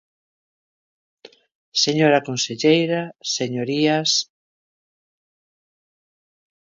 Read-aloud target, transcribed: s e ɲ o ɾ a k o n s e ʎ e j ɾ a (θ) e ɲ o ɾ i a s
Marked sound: incorrect: s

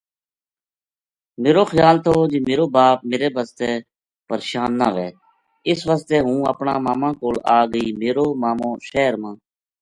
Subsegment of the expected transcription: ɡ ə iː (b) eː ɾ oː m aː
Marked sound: incorrect: m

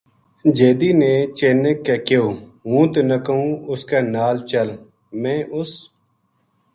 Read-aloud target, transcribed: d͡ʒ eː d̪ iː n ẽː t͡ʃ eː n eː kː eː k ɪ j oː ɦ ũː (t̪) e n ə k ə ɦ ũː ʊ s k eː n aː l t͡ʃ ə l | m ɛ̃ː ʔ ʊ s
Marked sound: correct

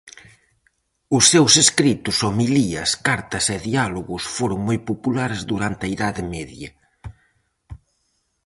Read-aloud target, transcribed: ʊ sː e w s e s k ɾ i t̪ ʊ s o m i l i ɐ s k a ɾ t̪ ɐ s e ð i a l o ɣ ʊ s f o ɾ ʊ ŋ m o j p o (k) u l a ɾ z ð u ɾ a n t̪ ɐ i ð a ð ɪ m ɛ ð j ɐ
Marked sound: incorrect: p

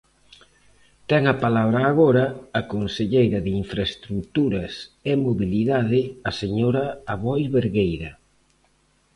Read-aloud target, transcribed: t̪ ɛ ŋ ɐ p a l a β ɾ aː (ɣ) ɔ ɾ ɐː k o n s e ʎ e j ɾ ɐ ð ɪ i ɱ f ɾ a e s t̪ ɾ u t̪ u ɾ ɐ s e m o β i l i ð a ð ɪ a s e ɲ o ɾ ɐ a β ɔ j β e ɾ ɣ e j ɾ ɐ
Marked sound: correct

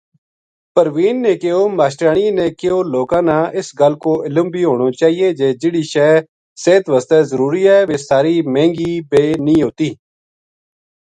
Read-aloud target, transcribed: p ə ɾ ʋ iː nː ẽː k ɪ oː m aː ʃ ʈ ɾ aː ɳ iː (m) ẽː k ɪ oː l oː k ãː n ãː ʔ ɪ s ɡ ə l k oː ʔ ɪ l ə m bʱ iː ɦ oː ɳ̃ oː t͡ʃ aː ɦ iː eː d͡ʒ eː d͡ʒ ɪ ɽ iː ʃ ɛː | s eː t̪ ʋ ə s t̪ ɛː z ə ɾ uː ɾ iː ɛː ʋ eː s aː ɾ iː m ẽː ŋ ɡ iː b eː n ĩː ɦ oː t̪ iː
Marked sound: incorrect: n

